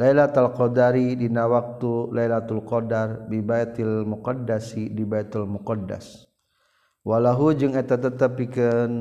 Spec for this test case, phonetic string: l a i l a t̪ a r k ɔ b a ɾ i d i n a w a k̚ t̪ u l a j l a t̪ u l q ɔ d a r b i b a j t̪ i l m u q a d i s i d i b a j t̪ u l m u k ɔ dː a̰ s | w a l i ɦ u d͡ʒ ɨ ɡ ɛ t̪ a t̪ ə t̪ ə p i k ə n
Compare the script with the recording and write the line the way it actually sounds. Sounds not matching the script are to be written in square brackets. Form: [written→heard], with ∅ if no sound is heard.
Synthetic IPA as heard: l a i l a t̪ a [r→l] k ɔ [b→d] a ɾ i d i n a w a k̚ t̪ u l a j l a t̪ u l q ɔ d a r b i b a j t̪ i l m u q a d [i→a] s i d i b a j t̪ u l m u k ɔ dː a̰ s | w a l [i→a] ɦ u d͡ʒ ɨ [ɡ→ŋ] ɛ t̪ a t̪ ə t̪ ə p i k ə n